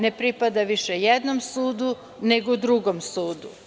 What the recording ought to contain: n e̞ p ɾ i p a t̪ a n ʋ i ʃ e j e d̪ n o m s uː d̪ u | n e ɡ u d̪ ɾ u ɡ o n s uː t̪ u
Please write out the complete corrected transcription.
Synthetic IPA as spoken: n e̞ p ɾ i p a d̪ a ʋ i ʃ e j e d̪ n o m s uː d̪ u | n e ɡ o d̪ ɾ u ɡ o m s uː d̪ u